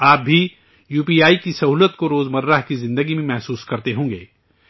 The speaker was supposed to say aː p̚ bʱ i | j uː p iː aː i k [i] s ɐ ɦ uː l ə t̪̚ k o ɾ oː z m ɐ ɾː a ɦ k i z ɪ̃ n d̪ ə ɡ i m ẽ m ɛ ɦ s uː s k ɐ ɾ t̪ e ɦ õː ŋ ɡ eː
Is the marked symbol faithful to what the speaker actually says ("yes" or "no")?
yes